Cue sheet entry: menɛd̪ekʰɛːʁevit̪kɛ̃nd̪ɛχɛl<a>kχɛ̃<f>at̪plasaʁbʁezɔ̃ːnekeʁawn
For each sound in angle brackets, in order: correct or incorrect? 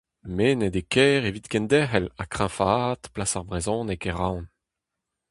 correct, correct

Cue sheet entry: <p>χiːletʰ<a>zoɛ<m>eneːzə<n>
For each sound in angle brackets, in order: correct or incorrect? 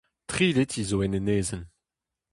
incorrect: t, incorrect: i, incorrect: n, correct

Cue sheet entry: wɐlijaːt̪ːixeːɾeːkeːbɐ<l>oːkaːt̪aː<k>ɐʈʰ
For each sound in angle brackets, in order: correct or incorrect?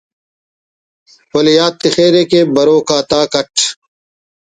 incorrect: ɾ, correct

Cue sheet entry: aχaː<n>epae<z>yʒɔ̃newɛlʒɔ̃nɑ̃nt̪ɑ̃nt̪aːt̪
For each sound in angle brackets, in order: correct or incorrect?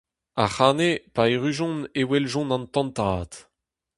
correct, incorrect: ʁ

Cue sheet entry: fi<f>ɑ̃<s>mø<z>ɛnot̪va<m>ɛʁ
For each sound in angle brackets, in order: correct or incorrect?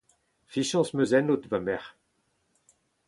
incorrect: ʃ, correct, correct, correct

